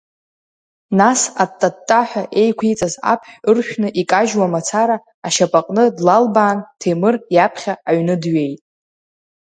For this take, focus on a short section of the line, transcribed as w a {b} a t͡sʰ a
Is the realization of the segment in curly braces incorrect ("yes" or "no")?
yes